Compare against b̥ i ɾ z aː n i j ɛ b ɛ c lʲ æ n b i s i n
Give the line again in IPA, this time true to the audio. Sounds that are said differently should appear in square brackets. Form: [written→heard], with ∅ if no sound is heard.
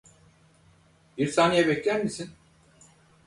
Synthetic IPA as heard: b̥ i ɾ [z→s] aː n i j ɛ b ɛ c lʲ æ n [b→m] i s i n